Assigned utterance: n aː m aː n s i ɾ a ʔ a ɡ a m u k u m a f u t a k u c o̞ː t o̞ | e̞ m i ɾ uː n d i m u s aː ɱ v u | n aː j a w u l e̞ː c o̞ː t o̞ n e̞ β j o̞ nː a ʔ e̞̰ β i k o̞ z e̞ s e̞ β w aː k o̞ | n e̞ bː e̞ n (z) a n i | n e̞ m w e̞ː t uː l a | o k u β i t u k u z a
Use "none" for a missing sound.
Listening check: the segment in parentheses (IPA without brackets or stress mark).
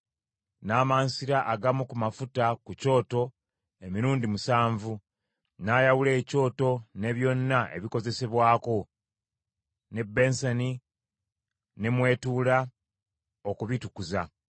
s